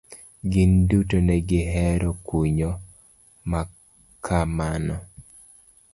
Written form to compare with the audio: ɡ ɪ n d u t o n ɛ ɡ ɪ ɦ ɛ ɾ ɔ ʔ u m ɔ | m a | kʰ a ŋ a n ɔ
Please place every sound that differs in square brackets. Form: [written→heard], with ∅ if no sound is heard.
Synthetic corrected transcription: ɡ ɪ n d u t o n ɛ ɡ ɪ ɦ ɛ ɾ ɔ [ʔ→k] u [m→ɲ] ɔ | m a | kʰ a [ŋ→m] a n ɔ